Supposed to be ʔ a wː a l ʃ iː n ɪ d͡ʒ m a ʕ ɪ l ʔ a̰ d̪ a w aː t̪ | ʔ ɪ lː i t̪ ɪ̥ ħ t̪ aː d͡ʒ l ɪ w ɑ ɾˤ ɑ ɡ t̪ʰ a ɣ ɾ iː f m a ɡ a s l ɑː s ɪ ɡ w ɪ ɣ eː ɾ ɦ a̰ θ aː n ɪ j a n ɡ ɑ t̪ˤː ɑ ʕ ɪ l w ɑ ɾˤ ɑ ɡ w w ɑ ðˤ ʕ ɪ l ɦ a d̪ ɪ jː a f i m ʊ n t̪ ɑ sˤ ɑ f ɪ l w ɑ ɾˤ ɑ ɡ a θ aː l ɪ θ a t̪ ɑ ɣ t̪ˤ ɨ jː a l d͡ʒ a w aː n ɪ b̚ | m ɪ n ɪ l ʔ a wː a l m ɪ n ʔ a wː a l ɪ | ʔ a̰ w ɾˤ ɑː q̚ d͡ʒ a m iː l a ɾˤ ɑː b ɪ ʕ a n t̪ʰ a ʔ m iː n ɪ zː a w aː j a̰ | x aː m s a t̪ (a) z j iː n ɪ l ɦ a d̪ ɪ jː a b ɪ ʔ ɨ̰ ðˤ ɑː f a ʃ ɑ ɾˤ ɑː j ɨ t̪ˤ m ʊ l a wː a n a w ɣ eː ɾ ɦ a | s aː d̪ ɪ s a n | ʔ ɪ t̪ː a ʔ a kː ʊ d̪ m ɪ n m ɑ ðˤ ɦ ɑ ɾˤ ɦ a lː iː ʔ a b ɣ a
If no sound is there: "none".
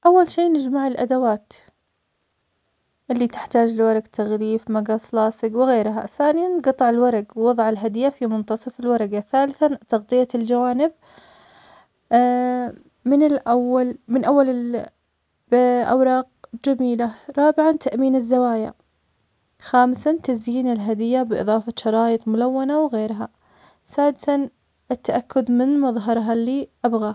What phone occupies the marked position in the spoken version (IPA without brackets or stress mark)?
a